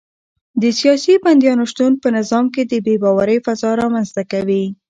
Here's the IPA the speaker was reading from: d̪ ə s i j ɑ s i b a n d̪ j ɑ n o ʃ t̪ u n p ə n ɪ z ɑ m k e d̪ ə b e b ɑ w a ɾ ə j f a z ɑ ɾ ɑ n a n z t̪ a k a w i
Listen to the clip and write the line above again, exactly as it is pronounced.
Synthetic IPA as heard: d̪ ə s i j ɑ s i b a n d̪ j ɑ n o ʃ t̪ u n p ə n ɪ z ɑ m k e d̪ ə b e b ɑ w a ɾ ə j f a z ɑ ɾ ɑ m a n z t̪ a k a w i

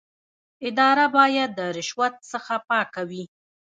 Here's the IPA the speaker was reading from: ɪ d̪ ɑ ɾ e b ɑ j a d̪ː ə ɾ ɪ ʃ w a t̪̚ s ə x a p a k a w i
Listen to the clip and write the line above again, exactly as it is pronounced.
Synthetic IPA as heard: ɪ d̪ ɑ ɾ a b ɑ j a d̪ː ə ɾ ɪ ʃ w a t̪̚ s ə x a p ɑ k a w i

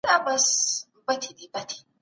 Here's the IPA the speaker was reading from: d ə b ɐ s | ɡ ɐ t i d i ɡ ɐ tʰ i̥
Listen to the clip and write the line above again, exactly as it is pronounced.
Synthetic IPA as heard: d a b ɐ s | b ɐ t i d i b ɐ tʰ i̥

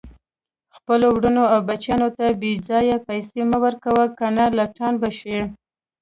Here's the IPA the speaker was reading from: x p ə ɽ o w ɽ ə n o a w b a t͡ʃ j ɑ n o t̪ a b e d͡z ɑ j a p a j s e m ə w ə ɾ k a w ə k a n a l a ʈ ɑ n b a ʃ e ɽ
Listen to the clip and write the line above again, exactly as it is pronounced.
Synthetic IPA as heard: x p ə l o w ɽ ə n o a w b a t͡ʃ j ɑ n o t̪ a b e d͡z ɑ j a p a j s e m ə w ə ɾ k a w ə k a n a l a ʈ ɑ n b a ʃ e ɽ

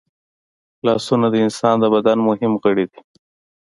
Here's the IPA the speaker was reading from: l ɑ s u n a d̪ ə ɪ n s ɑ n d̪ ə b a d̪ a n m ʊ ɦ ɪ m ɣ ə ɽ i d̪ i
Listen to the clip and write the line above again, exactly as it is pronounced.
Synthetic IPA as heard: l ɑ s u n a d̪ ə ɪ n s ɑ n d̪ ə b a d̪ a n m ʊ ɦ ɪ m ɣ ə ɽ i d̪ i

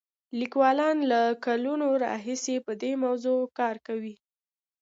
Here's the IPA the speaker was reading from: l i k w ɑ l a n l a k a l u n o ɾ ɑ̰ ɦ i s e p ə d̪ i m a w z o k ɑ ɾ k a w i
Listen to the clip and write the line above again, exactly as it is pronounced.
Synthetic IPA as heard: l i k w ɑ l ɑ n l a k a l u n o ɾ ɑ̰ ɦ i s e p ə d̪ e m a w z o k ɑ ɾ k a w i

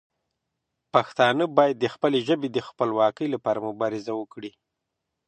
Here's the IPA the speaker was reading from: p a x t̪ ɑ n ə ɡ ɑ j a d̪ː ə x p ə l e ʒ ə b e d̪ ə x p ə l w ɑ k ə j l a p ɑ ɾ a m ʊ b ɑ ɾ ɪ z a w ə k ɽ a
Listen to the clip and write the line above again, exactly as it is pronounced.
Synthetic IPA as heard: p a x t̪ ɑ n ə b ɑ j a d̪ː ə x p ə l e ʒ ə b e d̪ ə x p ə l w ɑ k ə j l a p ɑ ɾ a m ʊ b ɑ ɾ ɪ z a w ə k ɽ i

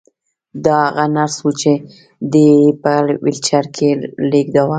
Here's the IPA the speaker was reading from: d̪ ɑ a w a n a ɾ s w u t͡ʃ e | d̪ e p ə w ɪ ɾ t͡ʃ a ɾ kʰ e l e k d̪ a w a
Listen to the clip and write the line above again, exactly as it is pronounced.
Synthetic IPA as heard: d̪ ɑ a ɣ a n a ɾ s w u t͡ʃ e | d̪ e p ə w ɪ l t͡ʃ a ɾ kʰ e l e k d̪ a w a

